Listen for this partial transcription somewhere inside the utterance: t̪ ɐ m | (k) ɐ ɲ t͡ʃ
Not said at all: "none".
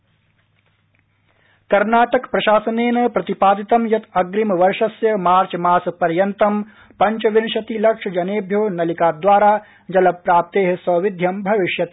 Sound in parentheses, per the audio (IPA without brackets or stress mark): p